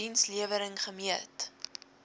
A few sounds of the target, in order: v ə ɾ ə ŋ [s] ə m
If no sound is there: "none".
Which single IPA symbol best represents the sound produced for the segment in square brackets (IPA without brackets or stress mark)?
χ